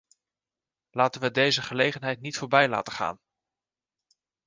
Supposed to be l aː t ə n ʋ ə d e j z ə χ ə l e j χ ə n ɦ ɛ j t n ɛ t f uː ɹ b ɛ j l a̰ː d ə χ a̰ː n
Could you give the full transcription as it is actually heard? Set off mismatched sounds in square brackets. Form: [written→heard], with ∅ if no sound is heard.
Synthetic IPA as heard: l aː t ə n ʋ ə d e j z ə χ ə l e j χ ə n ɦ ɛ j t n [ɛ→i] t f [uː→ʊː] ɹ b ɛ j l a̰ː [d→t] ə χ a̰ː n